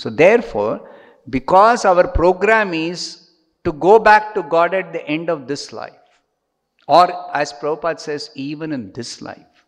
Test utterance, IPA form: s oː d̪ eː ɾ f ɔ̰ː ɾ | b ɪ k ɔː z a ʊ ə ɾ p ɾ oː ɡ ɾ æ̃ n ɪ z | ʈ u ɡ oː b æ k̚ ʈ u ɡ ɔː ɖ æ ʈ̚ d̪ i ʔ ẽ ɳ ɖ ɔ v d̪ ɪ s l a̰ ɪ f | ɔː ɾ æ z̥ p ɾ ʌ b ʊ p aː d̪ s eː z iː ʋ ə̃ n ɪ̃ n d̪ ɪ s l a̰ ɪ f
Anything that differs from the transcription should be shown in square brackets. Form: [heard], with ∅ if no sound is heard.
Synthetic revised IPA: s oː d̪ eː ɾ f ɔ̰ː ɾ | b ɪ k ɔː z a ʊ ə ɾ p ɾ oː ɡ ɾ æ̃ [m] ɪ z | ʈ u ɡ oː b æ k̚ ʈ u ɡ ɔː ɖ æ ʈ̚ d̪ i ʔ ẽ ɳ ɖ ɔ [ʋ] d̪ ɪ s l a̰ ɪ f | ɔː ɾ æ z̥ p ɾ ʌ b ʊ p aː d̪ s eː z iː ʋ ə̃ n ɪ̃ n d̪ ɪ s l a̰ ɪ f